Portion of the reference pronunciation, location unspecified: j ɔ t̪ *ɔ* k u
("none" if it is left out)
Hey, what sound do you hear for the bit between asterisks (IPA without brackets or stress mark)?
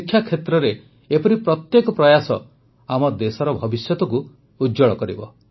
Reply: ɔ